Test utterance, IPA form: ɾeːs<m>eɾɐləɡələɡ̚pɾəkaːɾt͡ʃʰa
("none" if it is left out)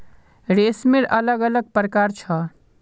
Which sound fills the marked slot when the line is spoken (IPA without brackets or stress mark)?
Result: m